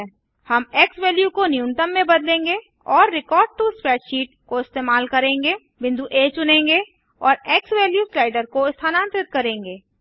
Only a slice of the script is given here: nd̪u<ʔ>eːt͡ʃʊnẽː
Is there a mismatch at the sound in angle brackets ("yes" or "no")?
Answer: no